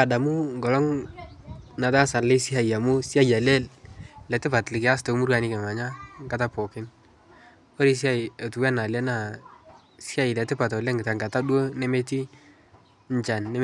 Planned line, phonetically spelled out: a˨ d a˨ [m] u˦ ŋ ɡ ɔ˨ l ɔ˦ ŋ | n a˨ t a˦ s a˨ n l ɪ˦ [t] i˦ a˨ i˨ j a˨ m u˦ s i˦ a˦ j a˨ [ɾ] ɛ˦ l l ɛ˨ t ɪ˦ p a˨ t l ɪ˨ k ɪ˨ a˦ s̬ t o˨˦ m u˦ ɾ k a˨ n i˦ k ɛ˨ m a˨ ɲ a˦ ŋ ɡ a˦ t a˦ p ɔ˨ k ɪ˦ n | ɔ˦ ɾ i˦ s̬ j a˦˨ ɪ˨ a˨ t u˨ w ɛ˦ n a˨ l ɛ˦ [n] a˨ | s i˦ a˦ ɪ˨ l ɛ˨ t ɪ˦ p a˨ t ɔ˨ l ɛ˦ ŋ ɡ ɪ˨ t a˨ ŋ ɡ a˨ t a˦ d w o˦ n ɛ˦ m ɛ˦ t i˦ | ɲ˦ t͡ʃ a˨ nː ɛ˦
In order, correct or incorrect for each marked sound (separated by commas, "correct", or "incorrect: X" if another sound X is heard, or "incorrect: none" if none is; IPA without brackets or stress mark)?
correct, incorrect: s, incorrect: l, correct